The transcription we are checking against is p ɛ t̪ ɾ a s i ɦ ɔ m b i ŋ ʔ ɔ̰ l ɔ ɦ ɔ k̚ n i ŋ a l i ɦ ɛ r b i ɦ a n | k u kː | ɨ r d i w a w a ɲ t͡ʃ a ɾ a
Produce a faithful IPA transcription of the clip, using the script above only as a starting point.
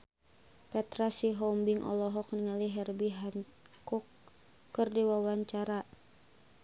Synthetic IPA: p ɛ t̪ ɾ a s i ɦ ɔ m b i ŋ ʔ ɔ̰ l ɔ ɦ ɔ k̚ n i ŋ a l i ɦ ɛ r b i ɦ a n | k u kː | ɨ r d i w a w a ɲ t͡ʃ a ɾ a